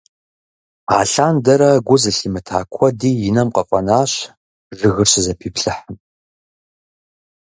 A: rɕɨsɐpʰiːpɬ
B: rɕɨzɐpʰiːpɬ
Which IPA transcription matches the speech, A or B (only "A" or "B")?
B